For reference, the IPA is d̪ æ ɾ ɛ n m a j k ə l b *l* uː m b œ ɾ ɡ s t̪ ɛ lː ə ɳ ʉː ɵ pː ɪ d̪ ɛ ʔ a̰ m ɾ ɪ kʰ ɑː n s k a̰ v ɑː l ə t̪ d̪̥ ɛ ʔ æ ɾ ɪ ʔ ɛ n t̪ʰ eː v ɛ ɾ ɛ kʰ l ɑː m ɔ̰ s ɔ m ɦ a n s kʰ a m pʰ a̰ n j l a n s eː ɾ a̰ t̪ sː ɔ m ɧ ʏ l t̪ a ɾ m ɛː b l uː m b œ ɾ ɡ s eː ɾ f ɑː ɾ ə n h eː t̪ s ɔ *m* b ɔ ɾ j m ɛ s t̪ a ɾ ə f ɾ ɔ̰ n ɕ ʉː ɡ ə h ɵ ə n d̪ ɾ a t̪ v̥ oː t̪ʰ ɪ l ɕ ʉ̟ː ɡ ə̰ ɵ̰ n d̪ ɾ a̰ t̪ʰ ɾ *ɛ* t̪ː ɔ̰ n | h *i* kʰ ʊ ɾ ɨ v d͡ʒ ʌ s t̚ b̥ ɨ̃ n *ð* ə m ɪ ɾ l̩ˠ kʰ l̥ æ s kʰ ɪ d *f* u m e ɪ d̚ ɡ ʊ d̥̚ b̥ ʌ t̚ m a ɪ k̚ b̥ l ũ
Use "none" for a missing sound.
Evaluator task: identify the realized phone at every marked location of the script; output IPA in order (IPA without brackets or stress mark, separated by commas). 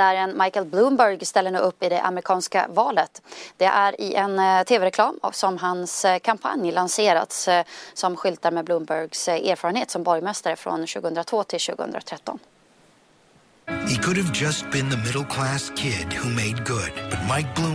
l, m, ɛ, i, ð, h